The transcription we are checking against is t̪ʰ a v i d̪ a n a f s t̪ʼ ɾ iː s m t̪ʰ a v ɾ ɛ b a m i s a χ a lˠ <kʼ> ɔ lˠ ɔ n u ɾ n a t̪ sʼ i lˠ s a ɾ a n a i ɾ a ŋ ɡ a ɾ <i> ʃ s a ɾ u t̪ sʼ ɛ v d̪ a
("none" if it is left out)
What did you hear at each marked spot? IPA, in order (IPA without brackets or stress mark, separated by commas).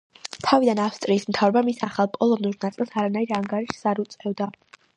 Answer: pʼ, i